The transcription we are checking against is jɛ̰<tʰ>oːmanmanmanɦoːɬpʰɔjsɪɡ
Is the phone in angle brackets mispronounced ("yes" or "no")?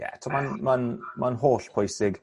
no